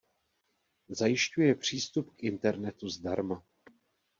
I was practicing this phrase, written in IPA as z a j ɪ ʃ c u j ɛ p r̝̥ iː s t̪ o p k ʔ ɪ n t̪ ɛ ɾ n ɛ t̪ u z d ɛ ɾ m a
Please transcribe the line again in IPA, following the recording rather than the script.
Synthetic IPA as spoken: z a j ɪ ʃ c u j ɛ p r̝̥ iː s t̪ u p k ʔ ɪ n t̪ ɛ ɾ n ɛ t̪ u z d a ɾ m a